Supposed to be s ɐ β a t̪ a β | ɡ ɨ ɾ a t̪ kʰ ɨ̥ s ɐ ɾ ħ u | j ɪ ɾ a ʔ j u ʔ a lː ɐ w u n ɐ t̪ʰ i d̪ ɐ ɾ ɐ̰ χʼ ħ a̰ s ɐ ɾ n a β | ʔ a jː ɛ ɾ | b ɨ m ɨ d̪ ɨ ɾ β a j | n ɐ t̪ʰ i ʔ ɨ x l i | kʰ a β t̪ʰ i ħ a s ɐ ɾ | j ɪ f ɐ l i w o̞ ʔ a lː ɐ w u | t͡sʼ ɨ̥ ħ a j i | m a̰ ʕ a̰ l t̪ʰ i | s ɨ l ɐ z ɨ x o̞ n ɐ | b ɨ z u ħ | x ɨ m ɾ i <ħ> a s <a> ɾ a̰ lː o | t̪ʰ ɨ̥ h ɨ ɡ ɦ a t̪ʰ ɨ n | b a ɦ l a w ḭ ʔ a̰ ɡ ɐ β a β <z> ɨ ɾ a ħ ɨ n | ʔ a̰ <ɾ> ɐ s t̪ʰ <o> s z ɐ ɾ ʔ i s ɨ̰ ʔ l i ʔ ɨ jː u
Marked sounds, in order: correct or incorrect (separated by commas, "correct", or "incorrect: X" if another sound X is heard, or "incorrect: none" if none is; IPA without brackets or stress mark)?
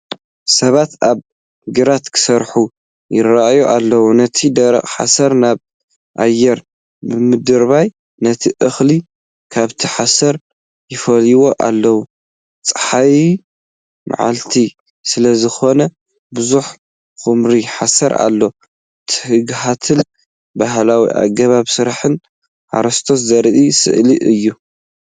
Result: correct, incorrect: ɐ, incorrect: s, correct, correct